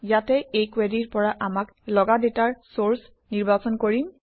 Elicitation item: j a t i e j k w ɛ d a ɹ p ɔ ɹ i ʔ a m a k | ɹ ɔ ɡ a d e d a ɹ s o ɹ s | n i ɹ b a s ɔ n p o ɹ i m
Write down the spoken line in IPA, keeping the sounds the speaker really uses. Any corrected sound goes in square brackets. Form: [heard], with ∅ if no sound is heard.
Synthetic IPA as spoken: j a t [ɛ] e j k w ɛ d [i] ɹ p ɔ ɹ [a] ʔ a m a k | [l] ɔ ɡ a d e [t] a ɹ s o ɹ s | n i ɹ b a s ɔ n [k] o ɹ i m